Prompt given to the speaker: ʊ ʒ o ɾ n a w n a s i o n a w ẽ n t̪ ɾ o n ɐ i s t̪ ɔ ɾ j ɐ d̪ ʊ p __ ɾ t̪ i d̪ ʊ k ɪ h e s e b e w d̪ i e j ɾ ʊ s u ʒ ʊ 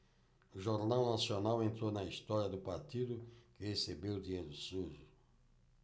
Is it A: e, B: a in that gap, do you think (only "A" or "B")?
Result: B